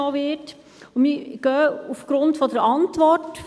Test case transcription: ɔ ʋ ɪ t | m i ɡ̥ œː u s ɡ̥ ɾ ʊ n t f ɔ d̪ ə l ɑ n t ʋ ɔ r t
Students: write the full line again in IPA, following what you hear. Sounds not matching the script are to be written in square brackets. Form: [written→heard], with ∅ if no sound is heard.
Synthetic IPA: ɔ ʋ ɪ t | m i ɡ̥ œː u [s→f] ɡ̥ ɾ ʊ n t f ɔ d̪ ə [l→ɾ] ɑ n t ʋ ɔ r t